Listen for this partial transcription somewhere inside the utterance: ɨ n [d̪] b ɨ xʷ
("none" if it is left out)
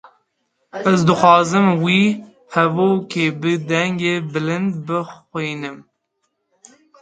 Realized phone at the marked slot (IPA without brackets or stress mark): d̪